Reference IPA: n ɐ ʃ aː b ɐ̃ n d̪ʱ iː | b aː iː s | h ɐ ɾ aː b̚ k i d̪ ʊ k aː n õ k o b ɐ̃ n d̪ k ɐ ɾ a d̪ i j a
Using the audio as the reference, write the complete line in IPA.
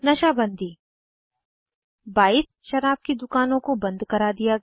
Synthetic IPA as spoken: n ɐ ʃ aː b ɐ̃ n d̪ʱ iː | b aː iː s | ʃ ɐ ɾ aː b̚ k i d̪ ʊ k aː n õ k o b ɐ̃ n d̪ k ɐ ɾ a d̪ i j a